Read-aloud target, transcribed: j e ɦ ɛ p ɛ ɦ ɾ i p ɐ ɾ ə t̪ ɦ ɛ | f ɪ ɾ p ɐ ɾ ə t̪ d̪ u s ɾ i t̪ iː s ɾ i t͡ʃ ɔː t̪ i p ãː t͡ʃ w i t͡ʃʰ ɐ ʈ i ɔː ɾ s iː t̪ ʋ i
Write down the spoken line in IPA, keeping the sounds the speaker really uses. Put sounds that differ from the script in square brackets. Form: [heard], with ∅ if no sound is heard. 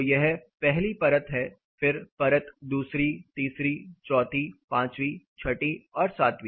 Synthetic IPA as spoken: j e ɦ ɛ p ɛ ɦ [l] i p ɐ ɾ ə t̪ ɦ ɛ | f ɪ ɾ p ɐ ɾ ə t̪ d̪ [uː] s ɾ i t̪ iː s ɾ i t͡ʃ ɔː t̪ i p ãː t͡ʃ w i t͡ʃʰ ɐ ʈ i ɔː ɾ s [aː] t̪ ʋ i